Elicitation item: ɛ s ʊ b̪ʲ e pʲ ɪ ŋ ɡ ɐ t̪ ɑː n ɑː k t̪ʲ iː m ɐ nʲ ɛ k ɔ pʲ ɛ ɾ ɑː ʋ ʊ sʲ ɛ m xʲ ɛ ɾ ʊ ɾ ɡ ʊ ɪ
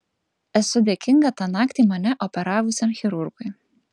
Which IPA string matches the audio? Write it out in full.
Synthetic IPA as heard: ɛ s ʊ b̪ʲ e kʲ ɪ ŋ ɡ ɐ t̪ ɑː n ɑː k t̪ʲ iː m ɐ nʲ ɛ ʔ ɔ pʲ ɛ ɾ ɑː ʋ ʊ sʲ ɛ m xʲ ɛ ɾ ʊ ɾ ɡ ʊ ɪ